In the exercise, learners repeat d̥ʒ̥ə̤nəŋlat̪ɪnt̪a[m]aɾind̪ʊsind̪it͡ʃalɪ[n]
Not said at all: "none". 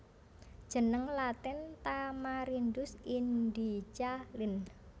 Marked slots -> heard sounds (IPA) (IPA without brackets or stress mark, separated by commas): m, n